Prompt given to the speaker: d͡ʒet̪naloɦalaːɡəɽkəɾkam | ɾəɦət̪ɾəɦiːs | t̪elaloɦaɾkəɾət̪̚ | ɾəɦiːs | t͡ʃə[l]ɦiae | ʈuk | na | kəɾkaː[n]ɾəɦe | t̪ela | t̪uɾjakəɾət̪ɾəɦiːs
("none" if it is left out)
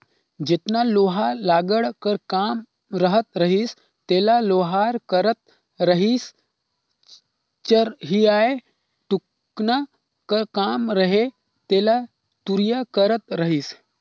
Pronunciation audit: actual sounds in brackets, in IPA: ɾ, m

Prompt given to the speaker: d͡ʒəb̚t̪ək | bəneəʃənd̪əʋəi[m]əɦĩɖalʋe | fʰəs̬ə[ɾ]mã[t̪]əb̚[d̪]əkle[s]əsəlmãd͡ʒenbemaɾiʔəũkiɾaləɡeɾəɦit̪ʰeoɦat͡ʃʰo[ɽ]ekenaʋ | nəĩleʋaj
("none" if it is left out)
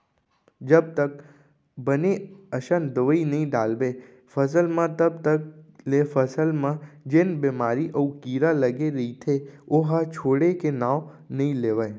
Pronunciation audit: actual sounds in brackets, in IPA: n, l, t̪, t̪, f, ɽ

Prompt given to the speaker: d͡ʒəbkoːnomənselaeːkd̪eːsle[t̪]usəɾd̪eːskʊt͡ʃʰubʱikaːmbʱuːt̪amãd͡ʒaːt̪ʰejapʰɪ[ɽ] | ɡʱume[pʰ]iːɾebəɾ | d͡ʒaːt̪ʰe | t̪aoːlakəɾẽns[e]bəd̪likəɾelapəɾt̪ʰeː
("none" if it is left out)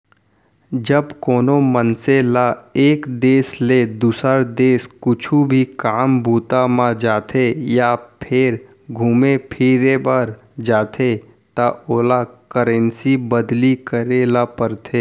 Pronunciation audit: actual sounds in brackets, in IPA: d̪, ɾ, pʰ, i

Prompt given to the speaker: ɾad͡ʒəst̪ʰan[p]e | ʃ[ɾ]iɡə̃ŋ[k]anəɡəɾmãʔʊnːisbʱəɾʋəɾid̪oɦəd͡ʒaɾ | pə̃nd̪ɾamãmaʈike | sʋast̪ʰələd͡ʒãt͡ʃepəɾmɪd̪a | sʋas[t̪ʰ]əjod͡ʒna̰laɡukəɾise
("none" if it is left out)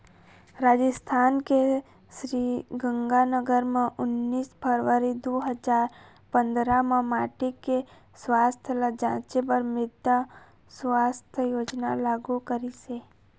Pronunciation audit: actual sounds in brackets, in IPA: k, ɾ, ɡ, t̪ʰ

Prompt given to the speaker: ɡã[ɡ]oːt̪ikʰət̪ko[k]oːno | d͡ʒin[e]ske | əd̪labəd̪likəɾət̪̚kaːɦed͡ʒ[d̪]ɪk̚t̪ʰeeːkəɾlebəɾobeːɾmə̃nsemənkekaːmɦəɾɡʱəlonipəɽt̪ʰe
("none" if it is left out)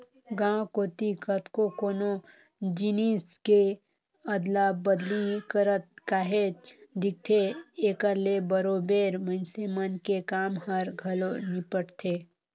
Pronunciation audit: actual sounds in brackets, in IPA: k, k, i, d̪

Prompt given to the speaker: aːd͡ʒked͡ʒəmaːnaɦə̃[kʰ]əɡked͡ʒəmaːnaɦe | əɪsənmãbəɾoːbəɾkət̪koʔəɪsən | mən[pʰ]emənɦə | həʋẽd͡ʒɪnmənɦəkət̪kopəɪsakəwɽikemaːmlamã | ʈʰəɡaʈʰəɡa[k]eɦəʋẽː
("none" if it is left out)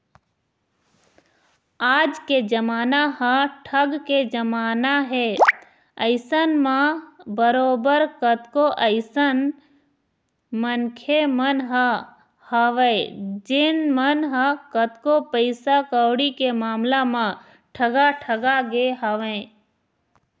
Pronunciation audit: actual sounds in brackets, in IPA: ʈʰ, kʰ, ɡ

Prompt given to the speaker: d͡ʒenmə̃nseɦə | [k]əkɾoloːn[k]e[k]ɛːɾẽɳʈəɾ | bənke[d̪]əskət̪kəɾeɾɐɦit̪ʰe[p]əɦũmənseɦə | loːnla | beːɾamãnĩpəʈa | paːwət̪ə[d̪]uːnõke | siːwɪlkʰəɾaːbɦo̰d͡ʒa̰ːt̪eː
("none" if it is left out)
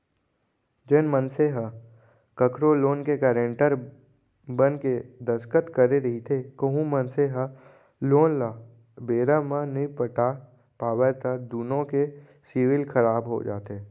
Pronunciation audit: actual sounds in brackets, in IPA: k, k, k, d̪, k, d̪

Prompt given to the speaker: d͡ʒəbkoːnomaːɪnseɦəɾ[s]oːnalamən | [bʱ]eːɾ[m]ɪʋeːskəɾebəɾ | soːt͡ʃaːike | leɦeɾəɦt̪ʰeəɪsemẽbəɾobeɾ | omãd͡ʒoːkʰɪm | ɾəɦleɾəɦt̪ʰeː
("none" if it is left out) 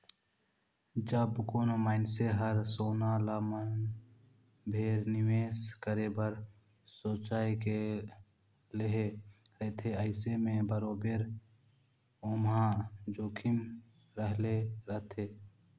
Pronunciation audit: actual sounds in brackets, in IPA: s, bʱ, n

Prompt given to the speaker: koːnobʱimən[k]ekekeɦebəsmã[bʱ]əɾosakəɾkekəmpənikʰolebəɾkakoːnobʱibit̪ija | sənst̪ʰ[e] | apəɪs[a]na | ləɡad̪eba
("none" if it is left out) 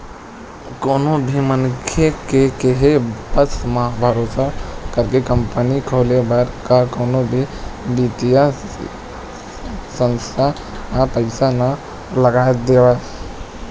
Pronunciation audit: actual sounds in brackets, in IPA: kʰ, bʱ, a, a

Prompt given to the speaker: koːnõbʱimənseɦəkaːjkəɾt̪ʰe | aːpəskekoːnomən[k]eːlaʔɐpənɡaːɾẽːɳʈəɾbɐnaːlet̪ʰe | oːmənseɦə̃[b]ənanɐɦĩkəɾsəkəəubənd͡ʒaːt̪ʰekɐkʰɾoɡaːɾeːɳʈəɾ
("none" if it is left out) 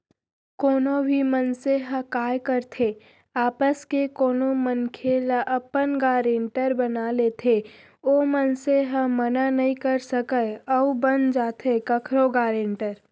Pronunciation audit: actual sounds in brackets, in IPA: kʰ, m

